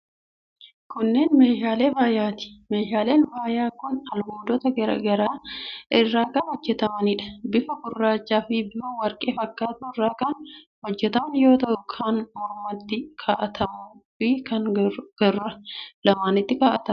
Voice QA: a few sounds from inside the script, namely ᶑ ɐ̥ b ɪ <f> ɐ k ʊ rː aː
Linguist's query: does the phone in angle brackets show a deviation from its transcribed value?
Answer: no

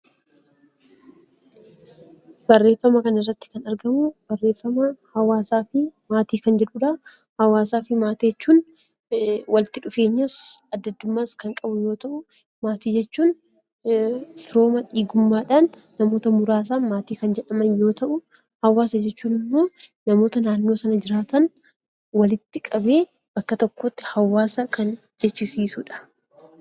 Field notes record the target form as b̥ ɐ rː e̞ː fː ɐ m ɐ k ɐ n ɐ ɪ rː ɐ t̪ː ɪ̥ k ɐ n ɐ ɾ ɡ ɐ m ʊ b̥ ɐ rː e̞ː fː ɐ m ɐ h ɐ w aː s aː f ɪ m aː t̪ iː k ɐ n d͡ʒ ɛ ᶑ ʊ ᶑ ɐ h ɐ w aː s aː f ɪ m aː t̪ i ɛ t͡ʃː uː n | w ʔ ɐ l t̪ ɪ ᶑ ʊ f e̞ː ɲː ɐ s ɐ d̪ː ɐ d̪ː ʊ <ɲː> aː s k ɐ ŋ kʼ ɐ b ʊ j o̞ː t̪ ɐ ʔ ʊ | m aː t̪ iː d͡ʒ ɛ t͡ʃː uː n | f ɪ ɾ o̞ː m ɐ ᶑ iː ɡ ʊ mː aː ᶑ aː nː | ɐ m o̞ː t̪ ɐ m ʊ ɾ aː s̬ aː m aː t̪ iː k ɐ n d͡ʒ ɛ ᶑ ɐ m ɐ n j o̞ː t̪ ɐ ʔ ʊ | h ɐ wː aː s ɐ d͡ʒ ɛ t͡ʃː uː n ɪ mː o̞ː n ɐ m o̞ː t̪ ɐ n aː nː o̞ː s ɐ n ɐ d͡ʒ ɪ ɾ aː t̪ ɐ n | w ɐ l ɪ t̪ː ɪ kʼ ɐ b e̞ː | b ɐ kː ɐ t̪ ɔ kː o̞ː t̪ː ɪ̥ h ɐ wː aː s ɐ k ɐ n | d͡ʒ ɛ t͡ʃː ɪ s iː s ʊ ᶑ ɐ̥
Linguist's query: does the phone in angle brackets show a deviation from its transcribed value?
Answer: yes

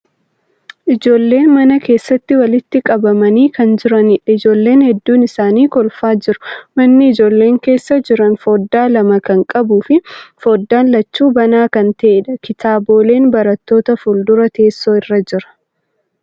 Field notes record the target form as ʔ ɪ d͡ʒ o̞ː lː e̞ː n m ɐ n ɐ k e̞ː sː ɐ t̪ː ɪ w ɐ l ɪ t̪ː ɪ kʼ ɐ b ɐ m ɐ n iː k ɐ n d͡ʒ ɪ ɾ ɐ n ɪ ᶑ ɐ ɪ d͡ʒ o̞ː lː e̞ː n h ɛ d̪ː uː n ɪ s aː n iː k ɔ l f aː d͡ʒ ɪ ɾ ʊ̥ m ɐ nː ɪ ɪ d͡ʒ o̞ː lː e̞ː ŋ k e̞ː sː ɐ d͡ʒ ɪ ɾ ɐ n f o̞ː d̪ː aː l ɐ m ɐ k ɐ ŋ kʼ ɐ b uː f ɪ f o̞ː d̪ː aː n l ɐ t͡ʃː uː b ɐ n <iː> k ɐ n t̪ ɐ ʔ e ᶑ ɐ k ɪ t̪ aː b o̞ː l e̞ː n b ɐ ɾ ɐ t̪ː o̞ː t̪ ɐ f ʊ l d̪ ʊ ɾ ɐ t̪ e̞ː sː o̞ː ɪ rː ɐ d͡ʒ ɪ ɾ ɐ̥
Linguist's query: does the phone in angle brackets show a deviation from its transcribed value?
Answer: yes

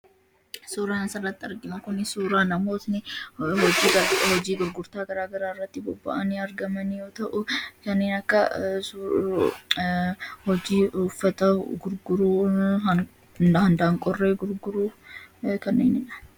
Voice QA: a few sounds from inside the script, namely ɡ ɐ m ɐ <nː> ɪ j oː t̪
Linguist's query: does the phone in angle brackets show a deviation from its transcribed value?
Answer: yes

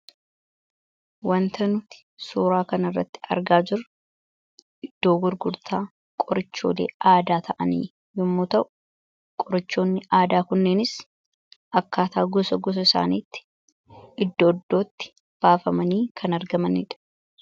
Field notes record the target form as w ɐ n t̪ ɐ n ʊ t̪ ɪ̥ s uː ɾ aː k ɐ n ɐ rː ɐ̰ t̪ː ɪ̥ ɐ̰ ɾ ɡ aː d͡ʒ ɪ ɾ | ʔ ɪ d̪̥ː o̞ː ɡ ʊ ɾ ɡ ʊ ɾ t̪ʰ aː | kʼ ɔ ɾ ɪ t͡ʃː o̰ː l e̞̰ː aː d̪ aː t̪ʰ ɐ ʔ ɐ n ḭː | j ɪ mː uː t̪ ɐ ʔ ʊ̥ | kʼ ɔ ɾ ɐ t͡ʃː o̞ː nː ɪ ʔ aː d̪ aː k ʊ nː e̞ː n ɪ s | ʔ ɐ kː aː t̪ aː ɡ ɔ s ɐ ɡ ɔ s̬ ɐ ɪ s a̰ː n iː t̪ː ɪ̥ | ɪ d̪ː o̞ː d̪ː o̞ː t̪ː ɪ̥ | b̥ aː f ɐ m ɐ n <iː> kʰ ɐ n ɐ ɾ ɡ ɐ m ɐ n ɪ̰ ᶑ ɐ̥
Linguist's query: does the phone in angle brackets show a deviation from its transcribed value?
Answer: no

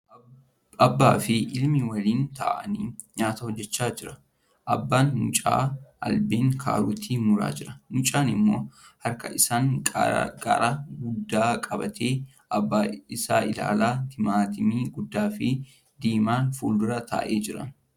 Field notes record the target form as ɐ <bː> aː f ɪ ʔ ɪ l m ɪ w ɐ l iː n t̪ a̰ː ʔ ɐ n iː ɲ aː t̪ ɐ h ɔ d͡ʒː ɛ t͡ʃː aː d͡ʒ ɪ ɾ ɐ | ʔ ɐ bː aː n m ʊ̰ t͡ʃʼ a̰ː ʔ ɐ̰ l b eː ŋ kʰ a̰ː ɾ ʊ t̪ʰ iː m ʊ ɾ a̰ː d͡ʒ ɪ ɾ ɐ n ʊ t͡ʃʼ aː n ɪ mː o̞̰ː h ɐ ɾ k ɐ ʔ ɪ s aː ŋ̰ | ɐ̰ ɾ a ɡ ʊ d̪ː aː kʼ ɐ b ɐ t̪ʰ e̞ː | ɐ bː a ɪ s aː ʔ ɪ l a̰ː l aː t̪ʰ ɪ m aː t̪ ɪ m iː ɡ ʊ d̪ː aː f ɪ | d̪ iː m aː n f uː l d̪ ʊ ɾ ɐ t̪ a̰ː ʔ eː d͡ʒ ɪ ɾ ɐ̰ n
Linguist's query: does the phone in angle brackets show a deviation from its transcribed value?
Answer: no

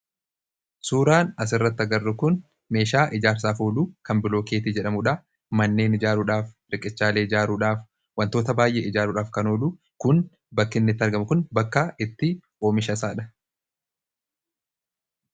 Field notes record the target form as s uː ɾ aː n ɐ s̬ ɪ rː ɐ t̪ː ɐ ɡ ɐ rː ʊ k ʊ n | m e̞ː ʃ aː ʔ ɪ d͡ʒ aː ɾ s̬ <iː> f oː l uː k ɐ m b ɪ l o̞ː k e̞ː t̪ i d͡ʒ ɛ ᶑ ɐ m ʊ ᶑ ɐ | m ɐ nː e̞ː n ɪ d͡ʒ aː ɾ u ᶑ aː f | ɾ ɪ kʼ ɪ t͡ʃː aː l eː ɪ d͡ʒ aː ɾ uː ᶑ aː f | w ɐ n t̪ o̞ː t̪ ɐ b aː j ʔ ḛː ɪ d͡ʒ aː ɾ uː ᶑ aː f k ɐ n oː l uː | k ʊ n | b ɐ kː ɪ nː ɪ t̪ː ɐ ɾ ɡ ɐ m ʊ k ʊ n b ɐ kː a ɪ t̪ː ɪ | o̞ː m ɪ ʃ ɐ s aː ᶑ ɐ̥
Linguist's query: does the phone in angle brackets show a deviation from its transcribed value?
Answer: yes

